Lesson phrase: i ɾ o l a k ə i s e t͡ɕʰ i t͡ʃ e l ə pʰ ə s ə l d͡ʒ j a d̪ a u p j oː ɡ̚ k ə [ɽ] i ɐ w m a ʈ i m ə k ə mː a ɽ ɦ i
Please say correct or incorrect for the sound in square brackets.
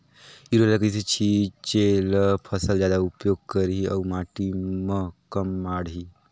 incorrect